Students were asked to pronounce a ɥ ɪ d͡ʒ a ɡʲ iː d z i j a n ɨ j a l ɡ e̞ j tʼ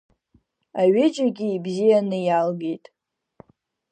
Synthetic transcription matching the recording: a ɥ ɪ d͡ʒ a ɡʲ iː b z i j a n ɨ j a l ɡ e̞ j tʼ